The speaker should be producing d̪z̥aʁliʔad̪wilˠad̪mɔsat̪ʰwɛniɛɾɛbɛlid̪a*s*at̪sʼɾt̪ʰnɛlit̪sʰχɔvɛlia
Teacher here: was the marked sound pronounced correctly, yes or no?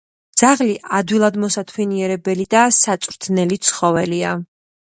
yes